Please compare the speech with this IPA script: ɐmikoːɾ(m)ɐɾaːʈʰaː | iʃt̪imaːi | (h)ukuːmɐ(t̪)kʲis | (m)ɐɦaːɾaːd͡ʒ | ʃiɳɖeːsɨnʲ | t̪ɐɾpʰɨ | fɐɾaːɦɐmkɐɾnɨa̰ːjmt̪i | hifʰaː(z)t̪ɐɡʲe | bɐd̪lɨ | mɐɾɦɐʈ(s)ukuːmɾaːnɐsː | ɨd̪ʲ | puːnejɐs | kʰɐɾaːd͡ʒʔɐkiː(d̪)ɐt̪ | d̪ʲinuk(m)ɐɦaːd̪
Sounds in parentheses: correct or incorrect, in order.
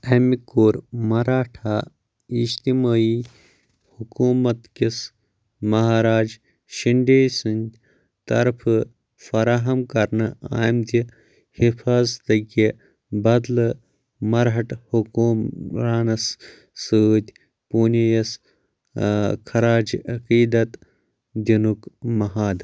correct, correct, correct, correct, correct, incorrect: h, correct, correct

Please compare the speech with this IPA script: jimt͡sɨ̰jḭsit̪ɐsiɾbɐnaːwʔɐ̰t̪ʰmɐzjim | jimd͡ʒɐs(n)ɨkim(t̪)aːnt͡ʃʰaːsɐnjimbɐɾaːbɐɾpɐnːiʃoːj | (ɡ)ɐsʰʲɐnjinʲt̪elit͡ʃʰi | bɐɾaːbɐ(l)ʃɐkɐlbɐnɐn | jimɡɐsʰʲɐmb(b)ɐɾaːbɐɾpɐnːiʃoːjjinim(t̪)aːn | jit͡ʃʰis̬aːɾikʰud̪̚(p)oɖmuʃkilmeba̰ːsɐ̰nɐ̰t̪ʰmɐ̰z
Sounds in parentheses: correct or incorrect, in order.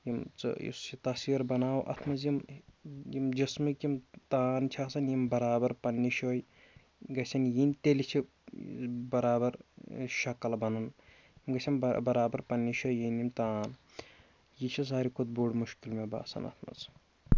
incorrect: m, correct, correct, incorrect: ɾ, correct, correct, incorrect: b

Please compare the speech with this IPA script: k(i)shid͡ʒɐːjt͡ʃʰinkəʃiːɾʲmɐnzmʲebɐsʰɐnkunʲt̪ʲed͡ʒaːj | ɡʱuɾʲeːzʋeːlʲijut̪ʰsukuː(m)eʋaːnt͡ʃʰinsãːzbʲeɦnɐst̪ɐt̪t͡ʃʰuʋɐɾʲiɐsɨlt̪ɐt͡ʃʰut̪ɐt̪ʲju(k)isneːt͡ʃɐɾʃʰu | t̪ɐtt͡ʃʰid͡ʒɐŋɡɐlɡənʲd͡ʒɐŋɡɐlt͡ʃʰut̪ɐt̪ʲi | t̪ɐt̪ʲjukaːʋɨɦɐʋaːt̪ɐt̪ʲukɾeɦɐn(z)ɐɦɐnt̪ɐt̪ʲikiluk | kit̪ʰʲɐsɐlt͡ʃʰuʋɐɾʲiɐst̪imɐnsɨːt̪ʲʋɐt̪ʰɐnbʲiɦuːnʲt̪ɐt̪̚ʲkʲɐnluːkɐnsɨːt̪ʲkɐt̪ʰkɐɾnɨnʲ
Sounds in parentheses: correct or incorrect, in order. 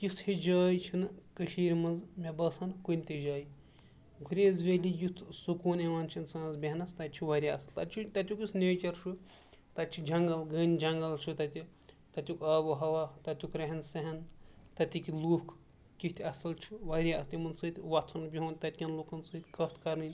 correct, incorrect: n, correct, incorrect: s

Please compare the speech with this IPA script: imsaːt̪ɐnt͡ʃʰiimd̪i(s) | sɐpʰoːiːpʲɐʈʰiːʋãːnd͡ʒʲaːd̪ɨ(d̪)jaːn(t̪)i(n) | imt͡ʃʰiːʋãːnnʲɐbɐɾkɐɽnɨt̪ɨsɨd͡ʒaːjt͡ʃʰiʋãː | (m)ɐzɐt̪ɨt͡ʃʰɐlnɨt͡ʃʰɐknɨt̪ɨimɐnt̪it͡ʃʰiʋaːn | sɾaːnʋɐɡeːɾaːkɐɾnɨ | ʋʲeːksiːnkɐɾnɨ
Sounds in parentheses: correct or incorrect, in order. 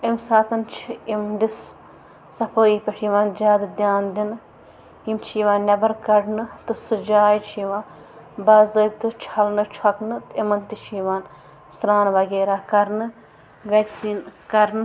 correct, correct, incorrect: d̪, correct, incorrect: b

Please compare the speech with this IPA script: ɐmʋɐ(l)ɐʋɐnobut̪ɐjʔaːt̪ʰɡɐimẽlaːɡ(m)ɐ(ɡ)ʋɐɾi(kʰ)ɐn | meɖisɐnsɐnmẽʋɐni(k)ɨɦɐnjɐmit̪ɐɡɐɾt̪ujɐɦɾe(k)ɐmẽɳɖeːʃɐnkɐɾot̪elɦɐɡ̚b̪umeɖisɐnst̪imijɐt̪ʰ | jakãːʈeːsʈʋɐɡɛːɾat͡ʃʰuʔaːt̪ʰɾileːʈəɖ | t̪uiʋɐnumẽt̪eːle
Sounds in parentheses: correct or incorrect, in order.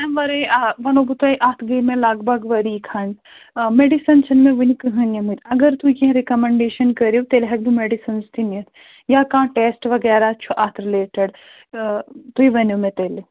incorrect: ɾ, incorrect: b, correct, correct, correct, correct

